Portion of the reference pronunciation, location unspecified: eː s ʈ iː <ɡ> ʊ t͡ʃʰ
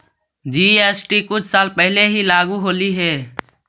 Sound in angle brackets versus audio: incorrect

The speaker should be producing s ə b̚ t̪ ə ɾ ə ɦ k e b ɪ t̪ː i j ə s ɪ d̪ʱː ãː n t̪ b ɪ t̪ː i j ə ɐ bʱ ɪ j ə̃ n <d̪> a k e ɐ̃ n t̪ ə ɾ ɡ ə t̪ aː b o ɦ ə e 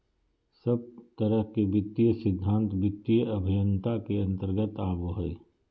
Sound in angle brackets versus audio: incorrect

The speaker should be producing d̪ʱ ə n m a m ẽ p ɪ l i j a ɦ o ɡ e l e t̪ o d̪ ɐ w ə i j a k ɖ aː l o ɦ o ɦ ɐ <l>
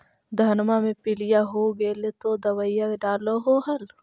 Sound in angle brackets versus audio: correct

